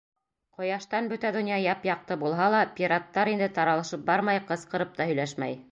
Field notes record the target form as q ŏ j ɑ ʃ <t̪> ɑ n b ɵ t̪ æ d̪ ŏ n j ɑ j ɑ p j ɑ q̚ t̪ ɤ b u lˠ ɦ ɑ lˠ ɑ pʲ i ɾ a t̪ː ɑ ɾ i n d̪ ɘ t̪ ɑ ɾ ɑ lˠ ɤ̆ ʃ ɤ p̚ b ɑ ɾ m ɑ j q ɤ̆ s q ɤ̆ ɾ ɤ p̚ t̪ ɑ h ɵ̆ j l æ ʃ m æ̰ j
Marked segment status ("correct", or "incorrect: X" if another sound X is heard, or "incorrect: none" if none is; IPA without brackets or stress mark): correct